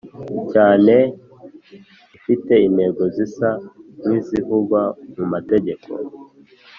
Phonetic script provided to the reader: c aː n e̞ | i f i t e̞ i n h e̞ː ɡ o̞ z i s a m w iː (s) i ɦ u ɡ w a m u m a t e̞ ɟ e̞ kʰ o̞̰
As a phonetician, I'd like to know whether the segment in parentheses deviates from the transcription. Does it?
yes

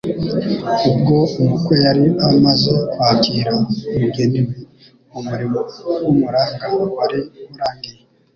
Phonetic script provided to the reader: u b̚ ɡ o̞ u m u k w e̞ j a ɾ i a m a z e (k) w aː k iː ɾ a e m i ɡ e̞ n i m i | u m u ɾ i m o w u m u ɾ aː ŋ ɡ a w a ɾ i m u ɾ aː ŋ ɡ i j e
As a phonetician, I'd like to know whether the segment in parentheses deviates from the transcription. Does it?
no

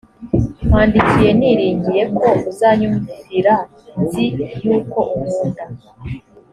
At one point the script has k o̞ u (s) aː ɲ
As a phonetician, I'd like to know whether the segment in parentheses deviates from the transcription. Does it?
yes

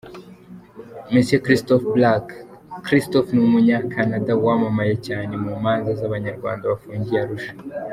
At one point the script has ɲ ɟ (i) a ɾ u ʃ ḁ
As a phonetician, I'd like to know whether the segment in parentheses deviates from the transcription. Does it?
no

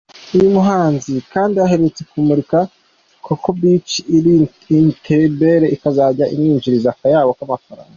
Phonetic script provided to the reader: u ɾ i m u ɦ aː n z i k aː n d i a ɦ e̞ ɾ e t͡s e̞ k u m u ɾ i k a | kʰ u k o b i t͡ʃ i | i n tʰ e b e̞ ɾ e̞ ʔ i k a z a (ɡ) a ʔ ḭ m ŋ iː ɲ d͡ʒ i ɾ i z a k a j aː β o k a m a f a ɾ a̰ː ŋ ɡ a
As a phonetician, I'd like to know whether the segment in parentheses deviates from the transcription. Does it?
yes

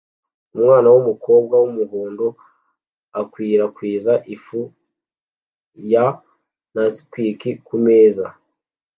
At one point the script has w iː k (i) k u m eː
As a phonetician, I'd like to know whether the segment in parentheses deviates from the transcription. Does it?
no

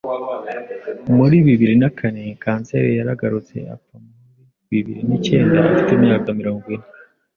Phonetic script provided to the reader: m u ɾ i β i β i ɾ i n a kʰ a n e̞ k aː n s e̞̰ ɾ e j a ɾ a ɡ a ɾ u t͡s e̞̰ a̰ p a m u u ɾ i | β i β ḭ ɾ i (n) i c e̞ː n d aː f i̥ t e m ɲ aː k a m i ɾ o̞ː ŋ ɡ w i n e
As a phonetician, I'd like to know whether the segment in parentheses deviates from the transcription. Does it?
no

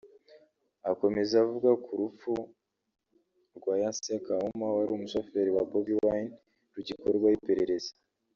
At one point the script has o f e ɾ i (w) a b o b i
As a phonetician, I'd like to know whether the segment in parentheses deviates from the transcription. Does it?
no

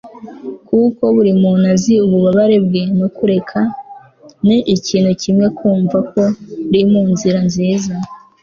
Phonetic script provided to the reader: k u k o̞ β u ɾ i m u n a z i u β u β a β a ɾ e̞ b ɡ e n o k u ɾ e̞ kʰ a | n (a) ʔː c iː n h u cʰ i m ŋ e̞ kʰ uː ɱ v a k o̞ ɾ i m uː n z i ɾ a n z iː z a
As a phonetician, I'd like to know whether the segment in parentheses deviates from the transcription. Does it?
yes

